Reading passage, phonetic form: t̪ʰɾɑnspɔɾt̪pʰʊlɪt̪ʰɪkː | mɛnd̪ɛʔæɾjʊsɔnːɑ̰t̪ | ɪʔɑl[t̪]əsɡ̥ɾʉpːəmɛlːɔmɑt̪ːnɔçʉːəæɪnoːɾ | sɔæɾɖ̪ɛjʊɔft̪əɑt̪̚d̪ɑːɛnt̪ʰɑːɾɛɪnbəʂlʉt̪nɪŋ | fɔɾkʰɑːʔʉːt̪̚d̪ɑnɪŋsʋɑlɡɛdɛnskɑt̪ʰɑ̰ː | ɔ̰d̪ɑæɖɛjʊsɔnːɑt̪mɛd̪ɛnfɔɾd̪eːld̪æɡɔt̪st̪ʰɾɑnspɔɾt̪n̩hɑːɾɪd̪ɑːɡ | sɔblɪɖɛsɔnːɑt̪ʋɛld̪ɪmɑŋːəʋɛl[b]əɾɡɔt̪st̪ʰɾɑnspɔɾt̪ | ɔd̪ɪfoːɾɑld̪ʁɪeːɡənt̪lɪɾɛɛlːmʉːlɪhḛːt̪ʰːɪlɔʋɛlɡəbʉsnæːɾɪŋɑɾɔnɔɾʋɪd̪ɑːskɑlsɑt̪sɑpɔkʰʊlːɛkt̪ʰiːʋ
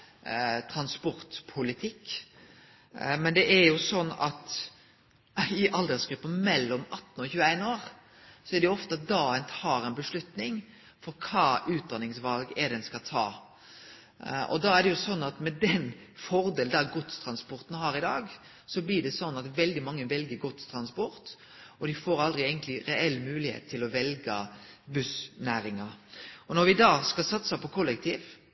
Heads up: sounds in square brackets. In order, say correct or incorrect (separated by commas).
incorrect, incorrect